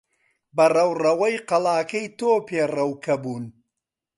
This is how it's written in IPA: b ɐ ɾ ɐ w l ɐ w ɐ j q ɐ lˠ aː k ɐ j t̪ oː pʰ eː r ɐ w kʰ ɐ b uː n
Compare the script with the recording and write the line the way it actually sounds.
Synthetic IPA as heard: b ɐ r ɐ w r ɐ w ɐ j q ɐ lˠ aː k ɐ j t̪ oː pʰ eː r ɐ w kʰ ɐ b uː n